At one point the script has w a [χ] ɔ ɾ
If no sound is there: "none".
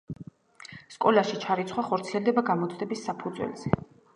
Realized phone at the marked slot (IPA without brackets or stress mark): χ